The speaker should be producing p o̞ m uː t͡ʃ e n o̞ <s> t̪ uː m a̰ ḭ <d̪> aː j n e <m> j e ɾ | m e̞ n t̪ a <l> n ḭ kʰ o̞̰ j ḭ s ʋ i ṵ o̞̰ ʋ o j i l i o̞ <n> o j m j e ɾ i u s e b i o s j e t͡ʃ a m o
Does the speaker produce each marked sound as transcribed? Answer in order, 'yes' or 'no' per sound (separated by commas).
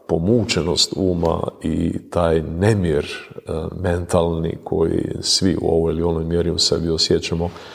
yes, no, yes, yes, yes